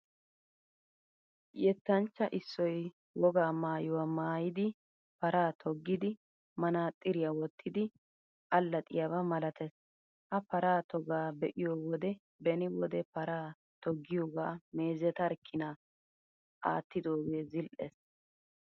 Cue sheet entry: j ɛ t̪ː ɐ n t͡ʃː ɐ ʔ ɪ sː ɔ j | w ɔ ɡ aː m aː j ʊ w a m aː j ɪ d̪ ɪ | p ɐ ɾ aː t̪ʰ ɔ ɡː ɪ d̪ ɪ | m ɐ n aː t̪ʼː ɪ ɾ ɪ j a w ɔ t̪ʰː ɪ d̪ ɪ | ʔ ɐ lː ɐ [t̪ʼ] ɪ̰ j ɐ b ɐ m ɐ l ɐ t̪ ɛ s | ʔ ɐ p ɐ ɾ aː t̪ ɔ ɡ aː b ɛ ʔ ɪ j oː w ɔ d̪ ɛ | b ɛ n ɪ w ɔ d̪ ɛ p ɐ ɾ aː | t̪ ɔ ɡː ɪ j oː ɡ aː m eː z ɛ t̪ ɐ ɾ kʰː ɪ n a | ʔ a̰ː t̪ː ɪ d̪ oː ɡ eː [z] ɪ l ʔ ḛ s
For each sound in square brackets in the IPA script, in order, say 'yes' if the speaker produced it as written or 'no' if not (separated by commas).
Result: yes, yes